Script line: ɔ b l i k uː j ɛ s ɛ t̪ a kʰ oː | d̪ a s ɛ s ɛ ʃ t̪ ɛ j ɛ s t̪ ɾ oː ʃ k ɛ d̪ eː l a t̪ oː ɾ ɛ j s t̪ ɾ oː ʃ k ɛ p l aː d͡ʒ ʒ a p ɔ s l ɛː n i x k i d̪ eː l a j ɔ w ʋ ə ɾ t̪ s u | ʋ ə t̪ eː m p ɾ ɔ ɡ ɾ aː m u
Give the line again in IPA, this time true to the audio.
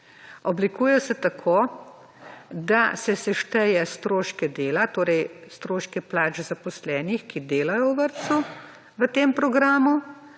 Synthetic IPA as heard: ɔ b l i k uː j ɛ s ɛ t̪ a kʰ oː | d̪ a s ɛ s ɛ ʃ t̪ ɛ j ɛ s t̪ ɾ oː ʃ k ɛ d̪ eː l a t̪ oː ɾ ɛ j s t̪ ɾ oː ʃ k ɛ p l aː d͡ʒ z a p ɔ s l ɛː n i x k i d̪ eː l a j ɔ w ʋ ə ɾ t̪ s u | ʋ ə t̪ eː m p ɾ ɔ ɡ ɾ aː m u